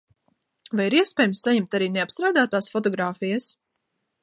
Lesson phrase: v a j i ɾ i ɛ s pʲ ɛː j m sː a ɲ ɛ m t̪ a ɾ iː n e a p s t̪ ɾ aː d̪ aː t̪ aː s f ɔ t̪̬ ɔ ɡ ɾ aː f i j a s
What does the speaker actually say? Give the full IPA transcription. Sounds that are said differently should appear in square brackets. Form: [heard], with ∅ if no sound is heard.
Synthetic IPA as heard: v a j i ɾ i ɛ s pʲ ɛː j m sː a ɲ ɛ m t̪ a ɾ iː n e a p s t̪ ɾ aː d̪ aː t̪ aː s f ɔ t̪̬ ɔ ɡ ɾ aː f i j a s